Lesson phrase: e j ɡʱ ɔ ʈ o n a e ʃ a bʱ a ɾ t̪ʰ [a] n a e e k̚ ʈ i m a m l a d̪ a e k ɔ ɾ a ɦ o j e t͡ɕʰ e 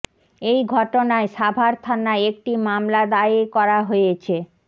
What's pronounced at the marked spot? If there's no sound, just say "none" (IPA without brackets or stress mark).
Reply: a